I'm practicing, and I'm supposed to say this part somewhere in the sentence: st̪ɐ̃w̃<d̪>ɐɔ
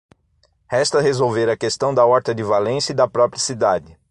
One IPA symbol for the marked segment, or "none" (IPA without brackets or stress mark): d̪